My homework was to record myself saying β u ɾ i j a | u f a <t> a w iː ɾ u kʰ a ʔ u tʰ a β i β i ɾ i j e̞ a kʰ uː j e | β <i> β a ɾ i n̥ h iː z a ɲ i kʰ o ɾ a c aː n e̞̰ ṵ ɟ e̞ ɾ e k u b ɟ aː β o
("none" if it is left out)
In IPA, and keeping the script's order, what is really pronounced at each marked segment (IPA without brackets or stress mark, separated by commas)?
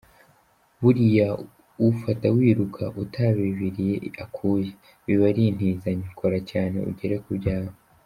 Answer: t, i